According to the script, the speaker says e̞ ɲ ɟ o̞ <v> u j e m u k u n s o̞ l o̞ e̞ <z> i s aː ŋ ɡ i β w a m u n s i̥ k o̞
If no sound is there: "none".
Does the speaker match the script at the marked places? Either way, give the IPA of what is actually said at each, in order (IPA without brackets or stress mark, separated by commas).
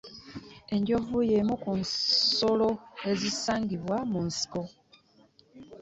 v, z